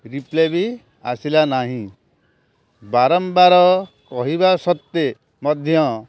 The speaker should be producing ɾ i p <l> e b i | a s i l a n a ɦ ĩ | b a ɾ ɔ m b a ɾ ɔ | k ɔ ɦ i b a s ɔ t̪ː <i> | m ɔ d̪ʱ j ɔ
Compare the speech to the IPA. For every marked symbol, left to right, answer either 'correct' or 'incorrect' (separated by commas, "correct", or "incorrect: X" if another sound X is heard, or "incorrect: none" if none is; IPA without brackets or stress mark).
correct, incorrect: e